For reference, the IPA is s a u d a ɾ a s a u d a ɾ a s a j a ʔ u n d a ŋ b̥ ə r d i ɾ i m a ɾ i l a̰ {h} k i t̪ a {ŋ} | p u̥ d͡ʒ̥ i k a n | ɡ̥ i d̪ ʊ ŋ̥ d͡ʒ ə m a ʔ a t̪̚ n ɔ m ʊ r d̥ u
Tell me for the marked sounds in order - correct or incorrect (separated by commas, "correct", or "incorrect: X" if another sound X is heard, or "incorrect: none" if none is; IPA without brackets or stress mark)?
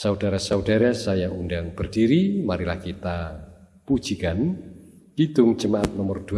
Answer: correct, incorrect: none